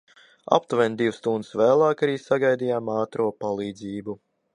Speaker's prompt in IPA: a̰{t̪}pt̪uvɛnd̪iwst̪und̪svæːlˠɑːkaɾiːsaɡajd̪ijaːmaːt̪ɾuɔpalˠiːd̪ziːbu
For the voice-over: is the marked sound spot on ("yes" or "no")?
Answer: no